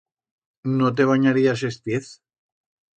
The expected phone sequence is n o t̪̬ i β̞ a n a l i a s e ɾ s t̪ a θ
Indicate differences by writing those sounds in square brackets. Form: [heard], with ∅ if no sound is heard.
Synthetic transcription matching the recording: n o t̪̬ [e] β̞ a [ɲ] a [ɾ] i a s e [∅] s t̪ [e] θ